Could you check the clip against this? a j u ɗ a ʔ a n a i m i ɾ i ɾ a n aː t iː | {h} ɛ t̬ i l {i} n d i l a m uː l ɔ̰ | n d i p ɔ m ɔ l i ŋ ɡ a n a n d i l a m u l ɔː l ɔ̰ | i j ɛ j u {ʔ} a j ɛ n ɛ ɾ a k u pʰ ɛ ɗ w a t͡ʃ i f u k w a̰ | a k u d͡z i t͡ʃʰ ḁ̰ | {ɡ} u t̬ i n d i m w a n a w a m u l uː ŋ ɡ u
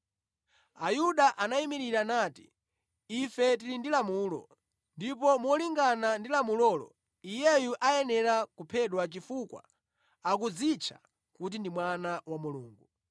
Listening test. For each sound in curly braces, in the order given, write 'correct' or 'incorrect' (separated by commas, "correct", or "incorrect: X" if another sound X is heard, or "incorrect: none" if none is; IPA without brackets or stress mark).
incorrect: f, correct, correct, incorrect: k